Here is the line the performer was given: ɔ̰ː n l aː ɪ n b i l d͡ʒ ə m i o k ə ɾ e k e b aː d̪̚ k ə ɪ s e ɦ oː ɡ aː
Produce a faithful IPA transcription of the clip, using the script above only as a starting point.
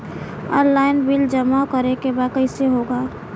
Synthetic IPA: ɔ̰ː n l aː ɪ n b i l d͡ʒ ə m a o k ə ɾ e k e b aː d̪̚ k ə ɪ s e ɦ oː ɡ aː